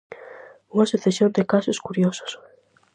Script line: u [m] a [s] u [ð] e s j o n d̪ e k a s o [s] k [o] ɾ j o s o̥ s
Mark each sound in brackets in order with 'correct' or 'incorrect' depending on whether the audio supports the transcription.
incorrect, correct, incorrect, correct, incorrect

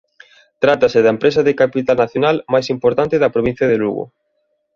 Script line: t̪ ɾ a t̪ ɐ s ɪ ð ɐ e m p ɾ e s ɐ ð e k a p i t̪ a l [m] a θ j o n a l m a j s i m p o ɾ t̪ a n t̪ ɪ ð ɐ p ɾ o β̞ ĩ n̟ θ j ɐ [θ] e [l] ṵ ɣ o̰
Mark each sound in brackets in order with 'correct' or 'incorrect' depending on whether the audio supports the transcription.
incorrect, incorrect, correct

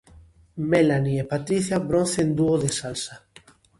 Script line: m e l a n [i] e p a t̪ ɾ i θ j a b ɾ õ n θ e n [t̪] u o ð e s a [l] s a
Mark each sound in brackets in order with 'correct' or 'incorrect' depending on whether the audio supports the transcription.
correct, incorrect, correct

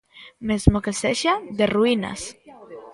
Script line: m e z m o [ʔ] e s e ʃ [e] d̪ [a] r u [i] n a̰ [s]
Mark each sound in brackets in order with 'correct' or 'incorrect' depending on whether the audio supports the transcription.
incorrect, incorrect, incorrect, correct, correct

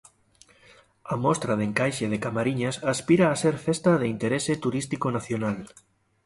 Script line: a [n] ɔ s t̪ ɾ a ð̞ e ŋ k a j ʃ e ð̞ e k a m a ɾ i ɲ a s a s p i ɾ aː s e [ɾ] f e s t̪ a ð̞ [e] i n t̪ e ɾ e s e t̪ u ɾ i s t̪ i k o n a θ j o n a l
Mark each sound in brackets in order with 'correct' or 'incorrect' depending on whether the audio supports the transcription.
incorrect, correct, correct

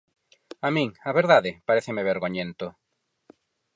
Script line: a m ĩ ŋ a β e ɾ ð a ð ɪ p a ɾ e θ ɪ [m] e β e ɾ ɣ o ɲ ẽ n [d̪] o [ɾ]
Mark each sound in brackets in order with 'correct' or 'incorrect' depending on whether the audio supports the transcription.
correct, incorrect, incorrect

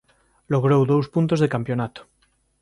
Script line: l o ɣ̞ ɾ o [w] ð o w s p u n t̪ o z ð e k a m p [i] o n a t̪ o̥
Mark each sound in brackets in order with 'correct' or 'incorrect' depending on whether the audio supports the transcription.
correct, incorrect

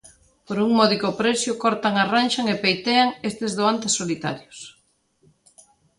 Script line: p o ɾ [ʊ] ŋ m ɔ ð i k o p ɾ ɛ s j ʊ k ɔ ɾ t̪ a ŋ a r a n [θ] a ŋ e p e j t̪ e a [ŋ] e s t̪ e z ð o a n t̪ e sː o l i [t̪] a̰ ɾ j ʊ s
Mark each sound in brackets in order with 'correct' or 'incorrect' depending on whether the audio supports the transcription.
incorrect, incorrect, correct, correct

